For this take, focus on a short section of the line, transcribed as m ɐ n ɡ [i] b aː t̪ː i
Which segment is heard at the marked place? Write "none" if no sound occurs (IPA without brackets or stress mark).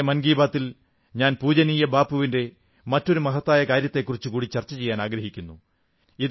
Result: iː